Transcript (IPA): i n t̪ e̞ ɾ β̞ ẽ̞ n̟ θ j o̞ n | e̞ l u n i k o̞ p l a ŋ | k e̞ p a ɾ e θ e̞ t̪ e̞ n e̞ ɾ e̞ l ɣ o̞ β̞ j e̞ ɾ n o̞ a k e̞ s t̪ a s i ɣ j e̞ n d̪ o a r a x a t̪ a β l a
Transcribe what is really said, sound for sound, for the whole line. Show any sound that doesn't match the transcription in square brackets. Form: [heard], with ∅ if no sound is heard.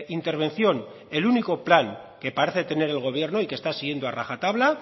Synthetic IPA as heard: i n t̪ e̞ ɾ β̞ [e̞] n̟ θ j o̞ n | e̞ l u n i k o̞ p l a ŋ | k e̞ p a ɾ e θ e̞ t̪ e̞ n e̞ ɾ e̞ l ɣ o̞ β̞ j e̞ ɾ n o̞ [i] k e̞ s t̪ a s i ɣ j e̞ n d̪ o a r a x a t̪ a β l a